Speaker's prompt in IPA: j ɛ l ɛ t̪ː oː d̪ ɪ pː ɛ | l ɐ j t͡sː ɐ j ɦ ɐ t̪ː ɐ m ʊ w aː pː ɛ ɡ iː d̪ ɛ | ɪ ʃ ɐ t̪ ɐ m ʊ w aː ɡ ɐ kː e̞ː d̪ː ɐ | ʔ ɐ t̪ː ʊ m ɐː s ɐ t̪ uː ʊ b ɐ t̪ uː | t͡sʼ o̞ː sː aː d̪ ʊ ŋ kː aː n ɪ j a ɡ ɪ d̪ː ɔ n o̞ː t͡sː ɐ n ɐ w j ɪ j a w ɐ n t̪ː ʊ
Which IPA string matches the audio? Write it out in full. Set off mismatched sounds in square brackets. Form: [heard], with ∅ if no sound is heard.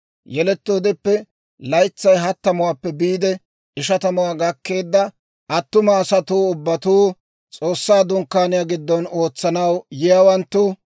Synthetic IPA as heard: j ɛ l ɛ t̪ː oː d̪ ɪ pː ɛ | l ɐ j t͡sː ɐ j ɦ ɐ t̪ː ɐ m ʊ w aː pː ɛ [b] iː d̪ ɛ | ɪ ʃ ɐ t̪ ɐ m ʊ w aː ɡ ɐ kː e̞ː d̪ː ɐ | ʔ ɐ t̪ː ʊ m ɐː s ɐ t̪ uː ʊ [bː] ɐ t̪ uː | t͡sʼ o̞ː sː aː d̪ ʊ ŋ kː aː n ɪ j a ɡ ɪ d̪ː ɔ n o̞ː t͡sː ɐ n ɐ w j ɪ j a w ɐ n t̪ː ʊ